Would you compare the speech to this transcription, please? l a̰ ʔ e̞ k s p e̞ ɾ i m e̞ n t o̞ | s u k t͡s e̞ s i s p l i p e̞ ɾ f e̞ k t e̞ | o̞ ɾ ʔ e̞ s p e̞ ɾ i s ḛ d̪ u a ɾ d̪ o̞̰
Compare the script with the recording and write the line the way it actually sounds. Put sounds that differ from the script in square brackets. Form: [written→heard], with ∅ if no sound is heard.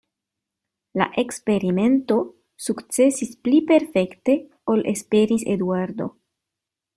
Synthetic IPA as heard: l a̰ ʔ e̞ k s p e̞ ɾ i m e̞ n t o̞ | s u k t͡s e̞ s i s p l i p e̞ ɾ f e̞ k t e̞ | o̞ [ɾ→l] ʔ e̞ s p e̞ ɾ i s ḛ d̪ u a ɾ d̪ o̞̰